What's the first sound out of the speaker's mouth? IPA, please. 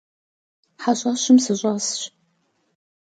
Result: ħ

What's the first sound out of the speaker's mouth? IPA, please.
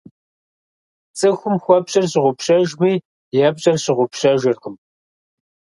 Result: t͡sʼ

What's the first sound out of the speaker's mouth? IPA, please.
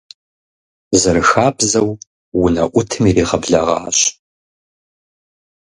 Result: z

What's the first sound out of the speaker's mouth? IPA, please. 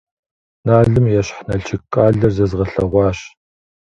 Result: n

